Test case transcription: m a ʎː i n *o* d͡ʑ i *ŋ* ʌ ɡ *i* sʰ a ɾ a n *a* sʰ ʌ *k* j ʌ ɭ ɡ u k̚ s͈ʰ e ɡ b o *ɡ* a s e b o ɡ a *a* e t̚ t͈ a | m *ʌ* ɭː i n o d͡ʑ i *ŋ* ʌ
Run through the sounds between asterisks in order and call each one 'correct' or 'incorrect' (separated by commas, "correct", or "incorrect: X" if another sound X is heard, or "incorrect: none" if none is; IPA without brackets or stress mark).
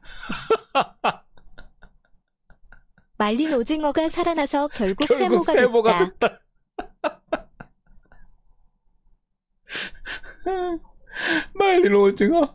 correct, correct, incorrect: a, correct, correct, correct, correct, incorrect: a, correct